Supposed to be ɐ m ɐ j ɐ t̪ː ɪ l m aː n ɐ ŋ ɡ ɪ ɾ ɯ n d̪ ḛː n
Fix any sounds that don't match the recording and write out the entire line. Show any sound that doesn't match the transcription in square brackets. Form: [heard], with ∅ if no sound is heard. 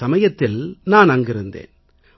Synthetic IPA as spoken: ɐ m ɐ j ɐ t̪ː ɪ l [n] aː n ɐ ŋ ɡ ɪ ɾ ɯ n d̪ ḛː n